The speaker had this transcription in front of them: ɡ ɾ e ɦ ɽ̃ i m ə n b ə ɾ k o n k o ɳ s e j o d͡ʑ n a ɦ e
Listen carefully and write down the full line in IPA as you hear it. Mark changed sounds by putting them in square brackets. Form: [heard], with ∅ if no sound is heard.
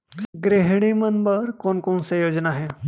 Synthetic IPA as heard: ɡ ɾ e ɦ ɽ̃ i m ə n b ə ɾ k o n k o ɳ s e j o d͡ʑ n a ɦ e